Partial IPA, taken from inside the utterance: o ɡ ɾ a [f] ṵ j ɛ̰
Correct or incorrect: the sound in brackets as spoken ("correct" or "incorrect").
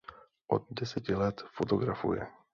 correct